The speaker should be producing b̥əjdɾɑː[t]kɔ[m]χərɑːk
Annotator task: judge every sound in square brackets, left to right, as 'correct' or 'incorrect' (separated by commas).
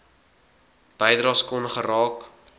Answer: incorrect, incorrect